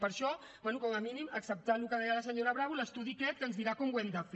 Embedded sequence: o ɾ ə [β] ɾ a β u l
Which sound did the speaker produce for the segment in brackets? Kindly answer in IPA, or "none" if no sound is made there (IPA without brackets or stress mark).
β